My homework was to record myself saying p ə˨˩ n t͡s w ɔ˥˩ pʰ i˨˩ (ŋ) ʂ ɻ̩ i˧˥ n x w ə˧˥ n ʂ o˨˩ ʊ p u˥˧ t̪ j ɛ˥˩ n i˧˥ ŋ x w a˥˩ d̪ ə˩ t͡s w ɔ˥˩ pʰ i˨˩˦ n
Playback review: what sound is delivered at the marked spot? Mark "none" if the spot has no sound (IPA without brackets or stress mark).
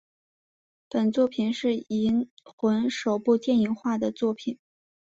n